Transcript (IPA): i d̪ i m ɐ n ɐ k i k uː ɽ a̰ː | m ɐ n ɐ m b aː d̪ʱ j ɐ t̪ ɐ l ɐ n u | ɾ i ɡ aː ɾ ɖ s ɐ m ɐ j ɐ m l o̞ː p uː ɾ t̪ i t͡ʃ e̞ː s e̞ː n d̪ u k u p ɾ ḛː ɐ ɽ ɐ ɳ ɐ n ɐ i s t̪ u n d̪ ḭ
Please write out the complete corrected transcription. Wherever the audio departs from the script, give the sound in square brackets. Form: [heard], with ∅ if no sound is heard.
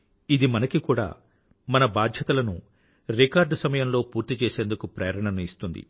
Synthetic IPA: i d̪ i m ɐ n ɐ k i k uː ɽ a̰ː | m ɐ n ɐ [∅] b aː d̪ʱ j ɐ t̪ ɐ l ɐ n u | ɾ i [k] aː ɾ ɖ s ɐ m ɐ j ɐ m l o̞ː p uː ɾ t̪ i t͡ʃ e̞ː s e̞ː n d̪ u k u p ɾ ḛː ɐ [ɾ] ɐ ɳ ɐ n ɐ i s t̪ u n d̪ ḭ